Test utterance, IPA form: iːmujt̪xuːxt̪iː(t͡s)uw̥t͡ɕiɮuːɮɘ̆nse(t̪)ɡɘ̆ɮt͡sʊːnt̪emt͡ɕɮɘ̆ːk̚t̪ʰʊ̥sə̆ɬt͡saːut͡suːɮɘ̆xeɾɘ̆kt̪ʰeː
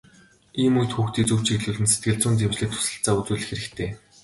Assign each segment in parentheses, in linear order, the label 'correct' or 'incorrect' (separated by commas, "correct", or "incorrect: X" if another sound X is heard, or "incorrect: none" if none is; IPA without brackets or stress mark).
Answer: correct, correct